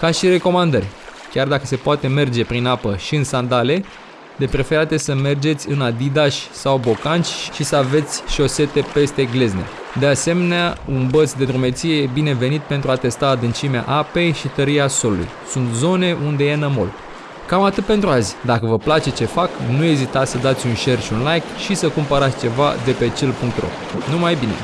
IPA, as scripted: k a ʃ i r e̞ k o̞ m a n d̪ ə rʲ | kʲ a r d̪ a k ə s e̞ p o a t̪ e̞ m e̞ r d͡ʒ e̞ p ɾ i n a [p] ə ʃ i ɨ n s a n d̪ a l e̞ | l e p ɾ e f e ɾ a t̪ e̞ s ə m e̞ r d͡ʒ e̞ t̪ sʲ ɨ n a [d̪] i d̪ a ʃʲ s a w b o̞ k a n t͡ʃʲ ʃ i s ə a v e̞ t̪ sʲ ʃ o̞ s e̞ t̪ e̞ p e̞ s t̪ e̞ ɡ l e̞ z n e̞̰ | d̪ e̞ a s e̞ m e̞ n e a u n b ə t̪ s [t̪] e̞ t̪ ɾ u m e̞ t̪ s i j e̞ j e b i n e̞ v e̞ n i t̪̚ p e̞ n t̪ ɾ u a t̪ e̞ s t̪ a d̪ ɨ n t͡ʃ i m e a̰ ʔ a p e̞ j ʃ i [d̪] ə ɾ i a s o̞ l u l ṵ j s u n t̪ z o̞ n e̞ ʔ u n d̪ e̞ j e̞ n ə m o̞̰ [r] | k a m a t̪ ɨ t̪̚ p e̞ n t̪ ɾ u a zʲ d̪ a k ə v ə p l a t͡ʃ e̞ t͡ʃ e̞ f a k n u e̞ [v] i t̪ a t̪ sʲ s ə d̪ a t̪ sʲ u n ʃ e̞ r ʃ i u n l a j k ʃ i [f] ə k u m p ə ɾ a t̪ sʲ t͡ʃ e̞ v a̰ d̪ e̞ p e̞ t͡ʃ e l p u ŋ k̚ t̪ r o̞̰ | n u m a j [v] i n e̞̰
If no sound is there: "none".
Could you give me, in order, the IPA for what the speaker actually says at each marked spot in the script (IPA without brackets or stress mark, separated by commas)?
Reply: p, d̪, d̪, t̪, l, z, s, b